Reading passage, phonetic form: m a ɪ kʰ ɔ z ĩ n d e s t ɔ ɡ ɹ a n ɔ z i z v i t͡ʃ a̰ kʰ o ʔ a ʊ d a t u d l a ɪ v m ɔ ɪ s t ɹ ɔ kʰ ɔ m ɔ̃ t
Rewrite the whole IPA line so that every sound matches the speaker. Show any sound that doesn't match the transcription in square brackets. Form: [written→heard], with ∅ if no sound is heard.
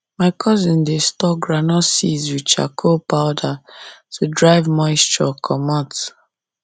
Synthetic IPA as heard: m a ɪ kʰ ɔ z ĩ n d e s t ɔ ɡ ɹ a n ɔ [z→s] i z [v→w] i t͡ʃ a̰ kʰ o [ʔ→p] a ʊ d a t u d [l→ɹ] a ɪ v m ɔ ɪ s t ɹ ɔ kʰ ɔ m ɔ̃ t